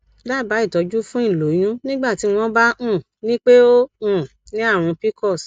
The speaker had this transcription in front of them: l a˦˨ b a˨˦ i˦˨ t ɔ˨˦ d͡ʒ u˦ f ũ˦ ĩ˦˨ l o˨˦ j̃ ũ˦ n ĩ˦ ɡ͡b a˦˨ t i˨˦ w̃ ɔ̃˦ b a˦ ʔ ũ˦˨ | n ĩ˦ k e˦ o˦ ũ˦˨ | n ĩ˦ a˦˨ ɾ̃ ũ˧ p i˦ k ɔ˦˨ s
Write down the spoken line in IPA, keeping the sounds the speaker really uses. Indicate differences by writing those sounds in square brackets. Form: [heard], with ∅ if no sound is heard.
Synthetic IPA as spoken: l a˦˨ b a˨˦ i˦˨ t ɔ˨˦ d͡ʒ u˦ f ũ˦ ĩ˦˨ l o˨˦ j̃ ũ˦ n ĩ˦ ɡ͡b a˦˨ t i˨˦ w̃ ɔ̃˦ b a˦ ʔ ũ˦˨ | n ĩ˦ [k͡p] e˦ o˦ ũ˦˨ | n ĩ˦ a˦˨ ɾ̃ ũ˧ p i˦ k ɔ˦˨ s